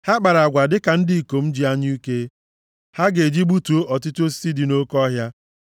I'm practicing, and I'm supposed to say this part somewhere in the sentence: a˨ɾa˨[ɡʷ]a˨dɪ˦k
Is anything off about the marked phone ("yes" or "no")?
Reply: no